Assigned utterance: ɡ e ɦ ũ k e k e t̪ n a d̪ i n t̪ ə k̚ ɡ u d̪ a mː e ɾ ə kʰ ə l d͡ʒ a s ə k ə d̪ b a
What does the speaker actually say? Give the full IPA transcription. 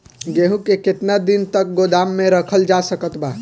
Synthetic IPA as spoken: ɡ e ɦ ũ k e k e t̪ n a d̪ i n t̪ ə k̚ ɡ o d̪ a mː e ɾ ə kʰ ə l d͡ʒ a s ə k ə t̪ b a